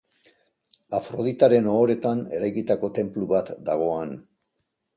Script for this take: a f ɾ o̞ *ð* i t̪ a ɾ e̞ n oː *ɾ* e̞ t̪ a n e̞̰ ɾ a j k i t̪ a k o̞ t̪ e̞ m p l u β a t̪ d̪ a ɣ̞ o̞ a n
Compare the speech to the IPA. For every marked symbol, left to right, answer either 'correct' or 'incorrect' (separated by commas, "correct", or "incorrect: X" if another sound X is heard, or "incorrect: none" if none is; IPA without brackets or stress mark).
correct, correct